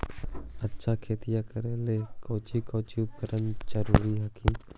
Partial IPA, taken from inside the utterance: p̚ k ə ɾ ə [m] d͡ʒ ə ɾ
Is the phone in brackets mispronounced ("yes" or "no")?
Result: yes